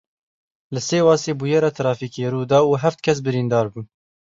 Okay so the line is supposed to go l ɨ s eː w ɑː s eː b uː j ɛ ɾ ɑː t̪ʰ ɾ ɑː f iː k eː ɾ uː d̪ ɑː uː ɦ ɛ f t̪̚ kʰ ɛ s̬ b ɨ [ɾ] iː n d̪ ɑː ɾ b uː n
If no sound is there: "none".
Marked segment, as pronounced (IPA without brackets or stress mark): ɾ